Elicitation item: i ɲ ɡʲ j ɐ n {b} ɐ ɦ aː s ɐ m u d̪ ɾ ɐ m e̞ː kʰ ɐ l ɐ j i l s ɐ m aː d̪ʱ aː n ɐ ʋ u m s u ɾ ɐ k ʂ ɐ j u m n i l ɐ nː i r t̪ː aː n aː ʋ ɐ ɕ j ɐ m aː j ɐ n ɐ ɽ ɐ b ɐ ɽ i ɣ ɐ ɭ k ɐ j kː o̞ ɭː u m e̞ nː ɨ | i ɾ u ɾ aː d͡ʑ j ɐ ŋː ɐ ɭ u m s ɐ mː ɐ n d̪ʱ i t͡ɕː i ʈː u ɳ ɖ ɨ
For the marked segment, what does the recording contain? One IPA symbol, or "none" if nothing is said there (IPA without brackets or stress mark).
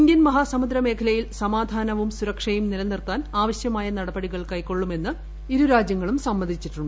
m